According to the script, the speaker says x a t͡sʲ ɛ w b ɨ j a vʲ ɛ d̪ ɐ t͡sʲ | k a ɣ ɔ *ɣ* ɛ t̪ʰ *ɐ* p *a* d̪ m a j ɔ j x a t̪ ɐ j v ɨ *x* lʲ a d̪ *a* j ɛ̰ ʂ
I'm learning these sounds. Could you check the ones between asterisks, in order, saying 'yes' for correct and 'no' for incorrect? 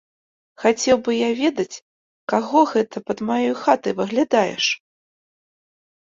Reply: yes, yes, no, no, yes

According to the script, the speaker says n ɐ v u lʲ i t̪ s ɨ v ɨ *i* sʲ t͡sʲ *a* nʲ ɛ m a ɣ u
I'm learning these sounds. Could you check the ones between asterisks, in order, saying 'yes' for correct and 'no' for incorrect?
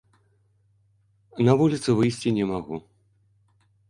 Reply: no, no

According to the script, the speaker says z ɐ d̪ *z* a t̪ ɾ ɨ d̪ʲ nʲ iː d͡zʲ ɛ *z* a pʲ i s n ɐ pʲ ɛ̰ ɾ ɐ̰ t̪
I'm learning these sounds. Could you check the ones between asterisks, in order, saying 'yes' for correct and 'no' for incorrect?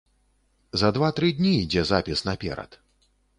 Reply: no, yes

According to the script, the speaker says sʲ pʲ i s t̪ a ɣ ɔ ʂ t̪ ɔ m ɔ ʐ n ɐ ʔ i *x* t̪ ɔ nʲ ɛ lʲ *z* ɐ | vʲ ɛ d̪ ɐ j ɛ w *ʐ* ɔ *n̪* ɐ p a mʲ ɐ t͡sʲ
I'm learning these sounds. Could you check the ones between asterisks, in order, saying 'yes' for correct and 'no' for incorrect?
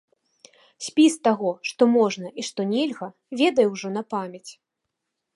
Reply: no, no, yes, yes

